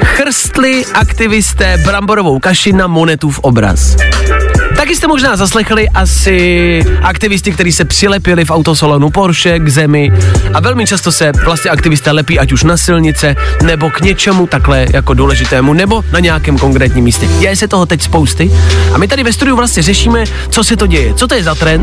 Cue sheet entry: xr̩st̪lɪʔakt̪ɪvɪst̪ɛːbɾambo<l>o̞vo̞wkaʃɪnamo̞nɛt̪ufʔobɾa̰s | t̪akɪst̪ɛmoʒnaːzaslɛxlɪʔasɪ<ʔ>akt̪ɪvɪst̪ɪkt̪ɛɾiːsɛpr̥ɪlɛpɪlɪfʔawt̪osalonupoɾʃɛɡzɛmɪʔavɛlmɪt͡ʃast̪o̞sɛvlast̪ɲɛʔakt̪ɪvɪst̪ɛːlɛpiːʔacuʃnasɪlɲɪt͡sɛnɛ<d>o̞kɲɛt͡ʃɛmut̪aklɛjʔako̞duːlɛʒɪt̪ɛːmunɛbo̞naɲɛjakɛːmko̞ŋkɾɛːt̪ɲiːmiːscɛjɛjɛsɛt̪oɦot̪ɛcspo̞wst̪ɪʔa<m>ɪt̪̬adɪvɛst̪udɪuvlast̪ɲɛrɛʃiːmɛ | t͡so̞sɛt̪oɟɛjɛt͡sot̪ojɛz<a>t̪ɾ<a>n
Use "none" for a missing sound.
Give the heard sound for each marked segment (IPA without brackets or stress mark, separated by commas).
ɾ, ʔ, b, m, a, ɛ